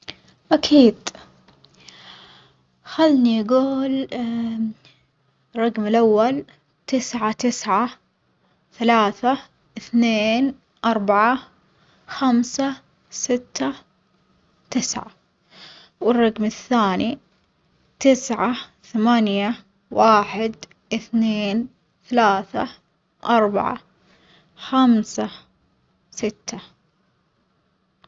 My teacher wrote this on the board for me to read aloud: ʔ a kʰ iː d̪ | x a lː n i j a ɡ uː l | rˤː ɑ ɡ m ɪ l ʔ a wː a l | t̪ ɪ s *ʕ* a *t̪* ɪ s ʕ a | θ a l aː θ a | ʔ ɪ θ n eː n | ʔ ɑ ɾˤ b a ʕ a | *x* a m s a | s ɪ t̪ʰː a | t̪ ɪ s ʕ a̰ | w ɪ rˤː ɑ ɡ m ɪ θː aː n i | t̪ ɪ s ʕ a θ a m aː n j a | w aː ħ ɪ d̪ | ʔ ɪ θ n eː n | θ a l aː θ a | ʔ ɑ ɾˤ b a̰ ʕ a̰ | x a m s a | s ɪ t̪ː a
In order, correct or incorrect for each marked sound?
correct, correct, correct

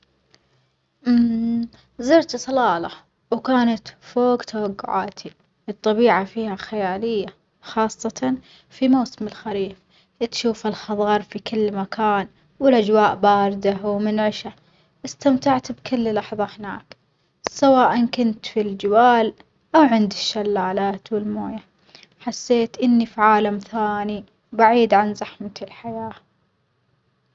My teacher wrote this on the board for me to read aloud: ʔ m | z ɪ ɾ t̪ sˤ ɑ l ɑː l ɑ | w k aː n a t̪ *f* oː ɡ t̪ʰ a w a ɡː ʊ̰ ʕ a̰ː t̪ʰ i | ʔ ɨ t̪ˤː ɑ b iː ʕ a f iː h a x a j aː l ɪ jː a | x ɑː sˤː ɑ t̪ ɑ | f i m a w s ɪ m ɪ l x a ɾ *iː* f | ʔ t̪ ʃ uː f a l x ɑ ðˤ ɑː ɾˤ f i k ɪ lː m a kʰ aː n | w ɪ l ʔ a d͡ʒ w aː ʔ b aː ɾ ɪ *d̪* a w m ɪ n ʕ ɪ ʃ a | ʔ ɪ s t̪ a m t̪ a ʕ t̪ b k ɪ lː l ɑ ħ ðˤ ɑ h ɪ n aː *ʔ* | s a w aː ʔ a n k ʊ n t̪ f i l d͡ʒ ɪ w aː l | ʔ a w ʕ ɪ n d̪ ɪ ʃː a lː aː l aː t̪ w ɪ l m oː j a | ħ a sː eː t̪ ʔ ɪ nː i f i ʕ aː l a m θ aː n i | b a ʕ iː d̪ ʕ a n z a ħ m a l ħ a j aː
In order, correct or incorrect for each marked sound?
correct, correct, correct, incorrect

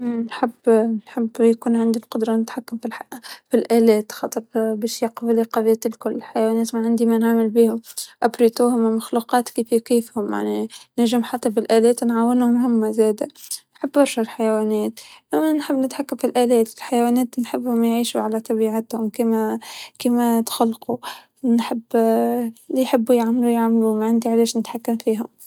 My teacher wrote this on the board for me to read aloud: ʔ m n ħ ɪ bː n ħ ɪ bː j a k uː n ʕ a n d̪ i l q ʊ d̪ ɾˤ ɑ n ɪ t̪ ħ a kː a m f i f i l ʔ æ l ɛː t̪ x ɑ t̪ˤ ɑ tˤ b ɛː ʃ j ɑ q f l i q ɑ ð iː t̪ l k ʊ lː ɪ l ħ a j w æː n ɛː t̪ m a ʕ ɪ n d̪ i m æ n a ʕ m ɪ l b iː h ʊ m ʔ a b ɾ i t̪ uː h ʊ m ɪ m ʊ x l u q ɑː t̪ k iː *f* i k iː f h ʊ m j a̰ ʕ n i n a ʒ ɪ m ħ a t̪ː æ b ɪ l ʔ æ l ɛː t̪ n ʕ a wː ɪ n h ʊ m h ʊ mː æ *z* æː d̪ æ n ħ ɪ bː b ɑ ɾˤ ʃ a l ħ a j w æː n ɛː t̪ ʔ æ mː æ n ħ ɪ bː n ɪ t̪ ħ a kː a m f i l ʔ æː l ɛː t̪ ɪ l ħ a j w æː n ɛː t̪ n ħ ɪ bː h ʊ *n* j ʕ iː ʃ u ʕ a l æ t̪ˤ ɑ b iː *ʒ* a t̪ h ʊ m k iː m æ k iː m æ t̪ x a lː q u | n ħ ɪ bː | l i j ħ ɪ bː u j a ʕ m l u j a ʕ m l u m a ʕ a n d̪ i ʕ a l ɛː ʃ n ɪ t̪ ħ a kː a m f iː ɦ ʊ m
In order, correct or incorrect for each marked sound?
correct, correct, incorrect, incorrect

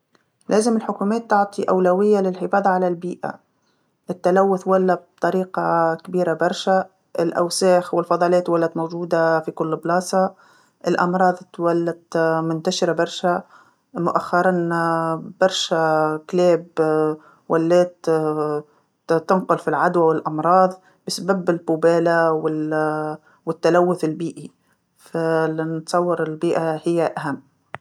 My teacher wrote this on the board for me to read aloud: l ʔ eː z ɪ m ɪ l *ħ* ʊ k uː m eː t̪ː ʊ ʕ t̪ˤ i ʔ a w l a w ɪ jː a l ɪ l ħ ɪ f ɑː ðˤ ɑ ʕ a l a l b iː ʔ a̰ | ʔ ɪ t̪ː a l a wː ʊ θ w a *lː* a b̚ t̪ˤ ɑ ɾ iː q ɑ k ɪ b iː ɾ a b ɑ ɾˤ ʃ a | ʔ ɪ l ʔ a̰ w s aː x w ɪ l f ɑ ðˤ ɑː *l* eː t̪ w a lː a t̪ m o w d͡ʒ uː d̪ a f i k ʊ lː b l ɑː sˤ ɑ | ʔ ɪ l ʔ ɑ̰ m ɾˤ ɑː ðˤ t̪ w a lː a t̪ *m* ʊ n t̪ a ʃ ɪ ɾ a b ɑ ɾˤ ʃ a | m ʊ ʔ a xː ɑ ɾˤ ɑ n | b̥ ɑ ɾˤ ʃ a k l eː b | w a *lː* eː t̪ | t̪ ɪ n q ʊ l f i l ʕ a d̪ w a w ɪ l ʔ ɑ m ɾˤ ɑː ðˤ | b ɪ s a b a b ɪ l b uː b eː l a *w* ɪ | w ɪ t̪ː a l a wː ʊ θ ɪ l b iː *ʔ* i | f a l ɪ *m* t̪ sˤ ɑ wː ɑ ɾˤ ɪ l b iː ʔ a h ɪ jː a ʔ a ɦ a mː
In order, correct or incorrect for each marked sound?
correct, correct, correct, correct, correct, correct, correct, incorrect

